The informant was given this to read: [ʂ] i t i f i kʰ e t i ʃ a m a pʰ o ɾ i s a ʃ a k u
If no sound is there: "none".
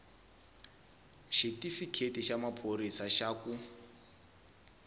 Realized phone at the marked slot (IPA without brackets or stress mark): ʃ